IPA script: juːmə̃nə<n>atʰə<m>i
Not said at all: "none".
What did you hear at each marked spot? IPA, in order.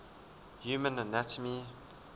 n, m

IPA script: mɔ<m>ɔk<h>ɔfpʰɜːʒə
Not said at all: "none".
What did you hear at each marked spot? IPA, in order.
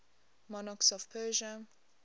n, s

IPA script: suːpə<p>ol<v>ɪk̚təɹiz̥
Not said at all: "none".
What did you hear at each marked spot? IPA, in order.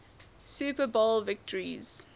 b, v

